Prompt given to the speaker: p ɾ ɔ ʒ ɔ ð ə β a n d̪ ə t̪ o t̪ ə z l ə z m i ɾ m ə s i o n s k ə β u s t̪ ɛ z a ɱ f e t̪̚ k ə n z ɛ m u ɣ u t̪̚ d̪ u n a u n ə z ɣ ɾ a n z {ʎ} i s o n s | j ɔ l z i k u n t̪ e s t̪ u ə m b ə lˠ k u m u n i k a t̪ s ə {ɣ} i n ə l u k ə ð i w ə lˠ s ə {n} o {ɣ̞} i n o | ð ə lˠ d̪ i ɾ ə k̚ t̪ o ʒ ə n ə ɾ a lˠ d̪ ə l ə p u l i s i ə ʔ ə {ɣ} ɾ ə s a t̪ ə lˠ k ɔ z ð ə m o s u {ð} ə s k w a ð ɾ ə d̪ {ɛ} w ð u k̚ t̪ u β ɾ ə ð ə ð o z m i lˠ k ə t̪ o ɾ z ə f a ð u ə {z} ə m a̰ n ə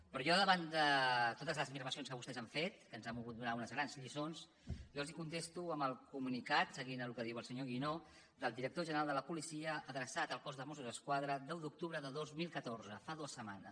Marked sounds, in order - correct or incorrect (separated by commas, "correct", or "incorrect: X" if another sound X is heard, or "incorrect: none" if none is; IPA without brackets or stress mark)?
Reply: correct, correct, incorrect: ɲ, correct, incorrect: ð, incorrect: z, correct, incorrect: s